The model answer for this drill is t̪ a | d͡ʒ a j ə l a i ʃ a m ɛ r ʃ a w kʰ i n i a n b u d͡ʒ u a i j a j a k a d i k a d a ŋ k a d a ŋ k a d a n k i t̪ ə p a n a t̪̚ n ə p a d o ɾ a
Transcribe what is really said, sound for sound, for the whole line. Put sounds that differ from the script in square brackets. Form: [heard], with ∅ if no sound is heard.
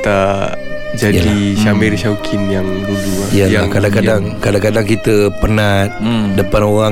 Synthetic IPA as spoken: t̪ a | d͡ʒ a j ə l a i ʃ a m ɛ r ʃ a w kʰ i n [j] a [ŋ] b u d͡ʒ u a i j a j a k a d [a] k a d a ŋ k a d a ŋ k a d a [ŋ] k i t̪ ə p [ə] n a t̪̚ [d] ə p a [n] o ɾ a